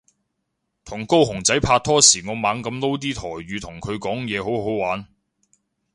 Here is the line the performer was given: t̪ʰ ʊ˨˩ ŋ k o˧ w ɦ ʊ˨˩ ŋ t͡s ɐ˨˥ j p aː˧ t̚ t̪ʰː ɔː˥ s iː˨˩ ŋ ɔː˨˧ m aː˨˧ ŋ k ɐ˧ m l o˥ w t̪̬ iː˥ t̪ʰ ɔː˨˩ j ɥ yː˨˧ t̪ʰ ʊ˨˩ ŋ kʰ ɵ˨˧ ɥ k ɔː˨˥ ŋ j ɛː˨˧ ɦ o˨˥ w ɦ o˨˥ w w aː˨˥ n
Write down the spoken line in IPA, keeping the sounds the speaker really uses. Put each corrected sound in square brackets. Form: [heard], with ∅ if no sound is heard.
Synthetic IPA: t̪ʰ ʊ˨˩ ŋ k [o˥] w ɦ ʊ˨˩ ŋ t͡s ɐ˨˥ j [pʰ] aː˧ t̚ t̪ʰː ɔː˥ s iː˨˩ ŋ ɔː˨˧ m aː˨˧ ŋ k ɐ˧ m l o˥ w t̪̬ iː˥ t̪ʰ ɔː˨˩ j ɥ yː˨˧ t̪ʰ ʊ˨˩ ŋ kʰ ɵ˨˧ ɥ k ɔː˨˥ ŋ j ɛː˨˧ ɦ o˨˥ w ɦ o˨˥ w w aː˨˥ n